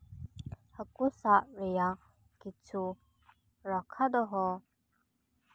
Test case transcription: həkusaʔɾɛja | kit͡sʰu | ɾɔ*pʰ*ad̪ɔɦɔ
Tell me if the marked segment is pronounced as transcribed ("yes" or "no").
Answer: no